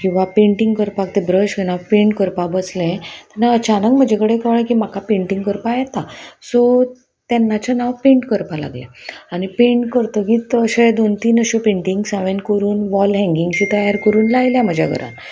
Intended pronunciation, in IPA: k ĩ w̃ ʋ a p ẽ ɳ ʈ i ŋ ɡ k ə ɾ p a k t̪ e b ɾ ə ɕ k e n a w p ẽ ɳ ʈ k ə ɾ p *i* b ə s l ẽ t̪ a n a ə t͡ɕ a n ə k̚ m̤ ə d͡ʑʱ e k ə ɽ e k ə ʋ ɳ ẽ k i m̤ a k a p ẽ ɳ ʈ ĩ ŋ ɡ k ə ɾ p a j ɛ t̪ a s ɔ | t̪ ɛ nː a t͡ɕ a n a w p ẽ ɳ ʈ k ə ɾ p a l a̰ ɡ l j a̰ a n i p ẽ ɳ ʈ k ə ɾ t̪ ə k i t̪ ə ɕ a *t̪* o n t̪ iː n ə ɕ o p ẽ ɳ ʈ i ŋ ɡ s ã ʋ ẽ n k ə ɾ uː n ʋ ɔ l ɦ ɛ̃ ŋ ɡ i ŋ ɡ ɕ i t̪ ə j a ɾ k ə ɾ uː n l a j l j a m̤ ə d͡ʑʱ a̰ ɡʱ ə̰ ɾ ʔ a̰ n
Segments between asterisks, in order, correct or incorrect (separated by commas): incorrect, incorrect